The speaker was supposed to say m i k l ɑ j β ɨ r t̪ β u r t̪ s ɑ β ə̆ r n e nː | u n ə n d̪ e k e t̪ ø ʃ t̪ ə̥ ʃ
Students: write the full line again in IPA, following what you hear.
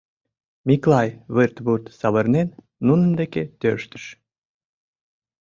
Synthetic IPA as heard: m i k l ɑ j β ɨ r t̪ β u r t̪ s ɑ β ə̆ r n e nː | u n ə n d̪ e k e t̪ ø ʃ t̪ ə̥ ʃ